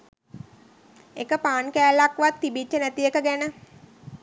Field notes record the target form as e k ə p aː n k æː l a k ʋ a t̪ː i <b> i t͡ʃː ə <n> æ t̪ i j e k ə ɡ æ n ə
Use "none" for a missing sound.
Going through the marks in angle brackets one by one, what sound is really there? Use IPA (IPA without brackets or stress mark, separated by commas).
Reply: b, n